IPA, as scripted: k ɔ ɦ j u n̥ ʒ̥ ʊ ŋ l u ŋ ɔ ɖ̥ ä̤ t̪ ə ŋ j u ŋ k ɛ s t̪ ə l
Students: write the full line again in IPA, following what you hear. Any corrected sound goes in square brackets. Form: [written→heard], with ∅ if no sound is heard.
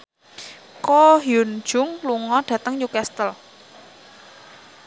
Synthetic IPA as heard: k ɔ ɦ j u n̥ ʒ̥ ʊ ŋ l u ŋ ɔ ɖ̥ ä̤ t̪ ə ŋ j u [ŋ→∅] k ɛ s t̪ ə l